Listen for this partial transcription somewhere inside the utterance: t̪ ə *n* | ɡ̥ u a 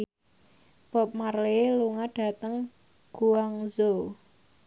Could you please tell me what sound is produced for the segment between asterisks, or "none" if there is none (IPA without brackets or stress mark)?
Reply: ŋ